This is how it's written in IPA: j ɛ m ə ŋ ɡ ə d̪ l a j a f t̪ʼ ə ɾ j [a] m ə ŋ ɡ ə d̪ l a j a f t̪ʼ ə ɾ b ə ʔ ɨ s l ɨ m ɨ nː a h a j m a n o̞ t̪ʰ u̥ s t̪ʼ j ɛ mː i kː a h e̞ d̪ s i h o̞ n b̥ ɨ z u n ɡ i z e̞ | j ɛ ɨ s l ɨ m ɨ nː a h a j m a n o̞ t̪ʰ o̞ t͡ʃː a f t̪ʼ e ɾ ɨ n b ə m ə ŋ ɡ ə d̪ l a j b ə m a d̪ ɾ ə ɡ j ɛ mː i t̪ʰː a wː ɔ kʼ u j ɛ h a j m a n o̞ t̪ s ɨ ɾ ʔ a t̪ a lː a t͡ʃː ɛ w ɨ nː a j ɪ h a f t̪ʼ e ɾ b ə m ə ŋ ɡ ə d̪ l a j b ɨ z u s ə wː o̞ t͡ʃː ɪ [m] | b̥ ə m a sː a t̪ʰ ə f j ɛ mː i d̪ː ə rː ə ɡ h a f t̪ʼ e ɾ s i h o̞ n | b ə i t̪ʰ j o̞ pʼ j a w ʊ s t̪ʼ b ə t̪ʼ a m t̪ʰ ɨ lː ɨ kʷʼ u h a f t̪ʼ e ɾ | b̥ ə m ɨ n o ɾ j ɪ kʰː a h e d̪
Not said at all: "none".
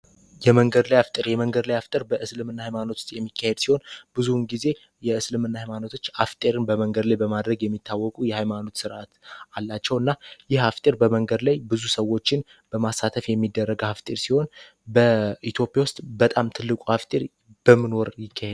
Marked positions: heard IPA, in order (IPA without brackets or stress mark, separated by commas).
ɛ, n